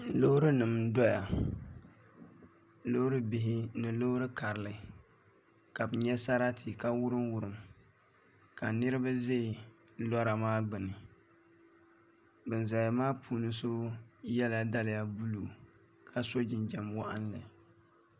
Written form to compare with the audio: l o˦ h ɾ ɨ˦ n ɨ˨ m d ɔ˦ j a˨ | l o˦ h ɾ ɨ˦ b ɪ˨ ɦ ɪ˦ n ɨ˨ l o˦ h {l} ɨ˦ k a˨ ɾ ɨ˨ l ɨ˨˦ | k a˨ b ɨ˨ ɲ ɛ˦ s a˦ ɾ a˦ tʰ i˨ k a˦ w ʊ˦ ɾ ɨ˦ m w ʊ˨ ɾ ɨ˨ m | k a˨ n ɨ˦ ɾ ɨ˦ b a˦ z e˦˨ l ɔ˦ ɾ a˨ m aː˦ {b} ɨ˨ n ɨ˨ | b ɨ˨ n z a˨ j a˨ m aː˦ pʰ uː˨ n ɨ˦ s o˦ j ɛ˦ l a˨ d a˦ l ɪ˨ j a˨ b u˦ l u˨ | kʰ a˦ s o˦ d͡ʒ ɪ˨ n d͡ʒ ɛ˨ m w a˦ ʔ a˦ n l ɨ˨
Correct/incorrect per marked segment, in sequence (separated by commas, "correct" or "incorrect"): incorrect, incorrect